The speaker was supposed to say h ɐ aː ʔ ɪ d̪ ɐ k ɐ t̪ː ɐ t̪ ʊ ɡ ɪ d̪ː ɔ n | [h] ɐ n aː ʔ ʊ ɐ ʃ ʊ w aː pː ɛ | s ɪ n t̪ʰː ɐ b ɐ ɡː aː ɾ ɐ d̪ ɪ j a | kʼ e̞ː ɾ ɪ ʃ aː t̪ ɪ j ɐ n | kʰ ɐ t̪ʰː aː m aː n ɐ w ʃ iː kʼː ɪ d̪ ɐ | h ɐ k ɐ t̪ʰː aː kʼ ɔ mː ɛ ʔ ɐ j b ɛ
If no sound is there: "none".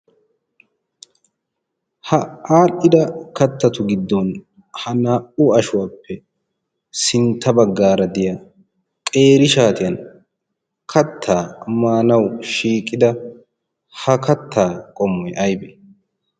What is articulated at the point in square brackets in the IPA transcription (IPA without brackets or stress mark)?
h